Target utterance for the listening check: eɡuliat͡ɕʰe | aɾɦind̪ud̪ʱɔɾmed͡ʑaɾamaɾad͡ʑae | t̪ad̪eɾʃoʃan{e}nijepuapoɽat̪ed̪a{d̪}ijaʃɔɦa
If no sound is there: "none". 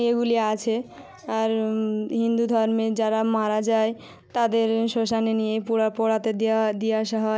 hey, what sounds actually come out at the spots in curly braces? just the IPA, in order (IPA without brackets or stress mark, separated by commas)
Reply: e, d̪